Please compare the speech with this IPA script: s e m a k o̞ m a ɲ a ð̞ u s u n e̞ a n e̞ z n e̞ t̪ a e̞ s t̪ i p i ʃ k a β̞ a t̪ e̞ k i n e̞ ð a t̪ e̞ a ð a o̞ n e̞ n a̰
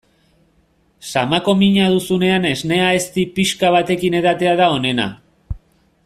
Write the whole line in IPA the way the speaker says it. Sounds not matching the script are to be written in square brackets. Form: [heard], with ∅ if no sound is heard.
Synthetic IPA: s [a] m a k o̞ m [i] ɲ a ð̞ u s u n e̞ a n e̞ z n e̞ [∅] a e̞ s t̪ i p i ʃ k a β̞ a t̪ e̞ k i n e̞ ð a t̪ e̞ a ð a o̞ n e̞ n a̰